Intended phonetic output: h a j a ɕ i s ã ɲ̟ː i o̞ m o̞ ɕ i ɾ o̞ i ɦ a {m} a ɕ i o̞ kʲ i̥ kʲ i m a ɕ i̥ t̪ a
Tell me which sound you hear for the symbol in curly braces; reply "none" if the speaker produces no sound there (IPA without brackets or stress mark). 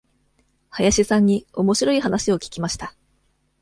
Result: n